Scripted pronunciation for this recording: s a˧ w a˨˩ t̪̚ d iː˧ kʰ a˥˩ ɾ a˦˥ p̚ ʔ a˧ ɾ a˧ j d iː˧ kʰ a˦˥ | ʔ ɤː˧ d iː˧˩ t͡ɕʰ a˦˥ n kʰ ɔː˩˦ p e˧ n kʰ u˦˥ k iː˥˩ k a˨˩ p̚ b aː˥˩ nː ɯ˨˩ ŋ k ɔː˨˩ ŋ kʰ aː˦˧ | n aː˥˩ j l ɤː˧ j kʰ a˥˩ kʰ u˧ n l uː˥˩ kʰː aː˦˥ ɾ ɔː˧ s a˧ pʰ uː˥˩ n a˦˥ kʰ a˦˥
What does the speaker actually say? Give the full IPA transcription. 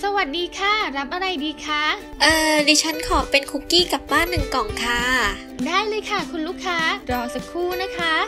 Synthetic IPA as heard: s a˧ w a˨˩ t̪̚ d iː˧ kʰ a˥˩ ɾ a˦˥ p̚ ʔ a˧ ɾ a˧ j d iː˧ kʰ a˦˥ | ʔ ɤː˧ d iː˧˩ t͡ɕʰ a˦˥ n kʰ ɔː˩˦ p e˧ n kʰ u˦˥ k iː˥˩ k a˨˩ p̚ b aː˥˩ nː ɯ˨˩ ŋ k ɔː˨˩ ŋ kʰ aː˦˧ | d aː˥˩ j l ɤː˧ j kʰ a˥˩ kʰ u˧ n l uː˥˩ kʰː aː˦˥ ɾ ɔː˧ s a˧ kʰ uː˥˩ n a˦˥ kʰ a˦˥